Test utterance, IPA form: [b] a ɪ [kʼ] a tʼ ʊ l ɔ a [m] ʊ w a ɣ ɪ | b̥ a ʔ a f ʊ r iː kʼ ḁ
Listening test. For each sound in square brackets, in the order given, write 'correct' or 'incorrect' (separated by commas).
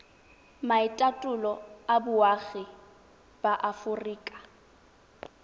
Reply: incorrect, incorrect, incorrect